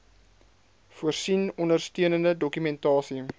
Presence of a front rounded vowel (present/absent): present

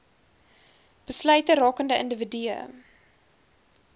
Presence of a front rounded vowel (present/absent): present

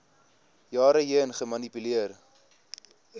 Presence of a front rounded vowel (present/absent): present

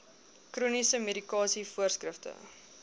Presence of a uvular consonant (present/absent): absent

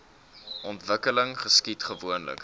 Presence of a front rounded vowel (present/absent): absent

